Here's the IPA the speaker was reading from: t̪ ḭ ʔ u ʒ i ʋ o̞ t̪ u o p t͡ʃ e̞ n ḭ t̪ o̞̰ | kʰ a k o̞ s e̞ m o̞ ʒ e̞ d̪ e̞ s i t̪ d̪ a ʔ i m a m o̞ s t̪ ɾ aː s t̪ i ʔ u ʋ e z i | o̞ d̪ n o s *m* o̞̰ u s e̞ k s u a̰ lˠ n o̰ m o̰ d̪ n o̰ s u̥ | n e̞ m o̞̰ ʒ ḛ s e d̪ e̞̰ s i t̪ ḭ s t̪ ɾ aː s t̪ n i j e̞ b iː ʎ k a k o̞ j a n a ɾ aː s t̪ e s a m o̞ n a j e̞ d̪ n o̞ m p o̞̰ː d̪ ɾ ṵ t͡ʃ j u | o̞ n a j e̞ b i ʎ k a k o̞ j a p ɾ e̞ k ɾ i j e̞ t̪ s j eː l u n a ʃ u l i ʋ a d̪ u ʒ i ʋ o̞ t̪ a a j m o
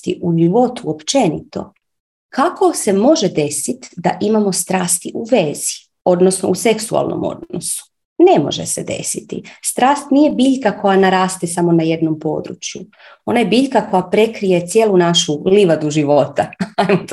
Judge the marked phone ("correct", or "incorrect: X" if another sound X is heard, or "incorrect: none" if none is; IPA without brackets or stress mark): incorrect: n